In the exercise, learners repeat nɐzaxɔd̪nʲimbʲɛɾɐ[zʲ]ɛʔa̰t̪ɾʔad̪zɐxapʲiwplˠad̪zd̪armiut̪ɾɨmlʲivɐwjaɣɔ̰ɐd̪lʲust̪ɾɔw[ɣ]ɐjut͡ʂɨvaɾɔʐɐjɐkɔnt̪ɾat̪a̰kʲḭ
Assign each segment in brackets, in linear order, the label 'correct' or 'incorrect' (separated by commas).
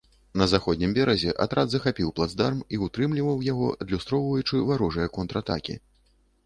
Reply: correct, incorrect